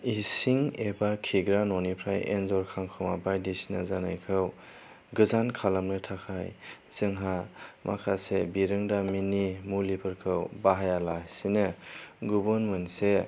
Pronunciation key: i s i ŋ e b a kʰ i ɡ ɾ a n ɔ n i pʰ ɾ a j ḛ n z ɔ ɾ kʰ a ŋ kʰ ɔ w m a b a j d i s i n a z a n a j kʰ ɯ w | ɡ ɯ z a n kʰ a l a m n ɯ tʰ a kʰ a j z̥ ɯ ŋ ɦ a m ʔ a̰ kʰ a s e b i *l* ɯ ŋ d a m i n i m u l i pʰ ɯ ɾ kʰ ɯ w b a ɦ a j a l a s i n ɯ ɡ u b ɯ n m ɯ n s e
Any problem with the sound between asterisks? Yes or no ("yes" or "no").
yes